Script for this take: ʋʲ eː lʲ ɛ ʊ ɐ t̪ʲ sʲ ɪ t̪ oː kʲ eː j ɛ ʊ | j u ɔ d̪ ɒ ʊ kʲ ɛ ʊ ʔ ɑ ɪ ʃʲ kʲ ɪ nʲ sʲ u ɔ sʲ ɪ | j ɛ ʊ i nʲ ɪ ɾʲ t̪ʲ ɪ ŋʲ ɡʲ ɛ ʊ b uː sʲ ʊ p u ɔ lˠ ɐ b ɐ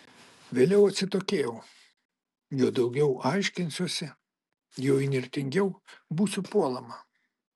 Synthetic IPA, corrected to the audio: ʋʲ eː lʲ ɛ ʊ ɐ t̪ʲ sʲ ɪ t̪ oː kʲ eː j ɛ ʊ | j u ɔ d̪ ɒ ʊ ɡʲ ɛ ʊ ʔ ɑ ɪ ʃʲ kʲ ɪ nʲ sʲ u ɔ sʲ ɪ | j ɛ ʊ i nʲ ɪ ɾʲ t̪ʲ ɪ ŋʲ ɡʲ ɛ ʊ b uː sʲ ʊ p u ɔ lˠ ɐ m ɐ